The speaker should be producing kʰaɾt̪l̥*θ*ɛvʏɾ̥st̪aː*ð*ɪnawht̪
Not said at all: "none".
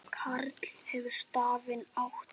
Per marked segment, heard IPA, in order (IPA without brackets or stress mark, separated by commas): h, v